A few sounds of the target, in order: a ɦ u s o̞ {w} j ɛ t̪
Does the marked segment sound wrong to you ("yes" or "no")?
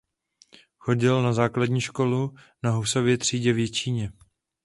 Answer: yes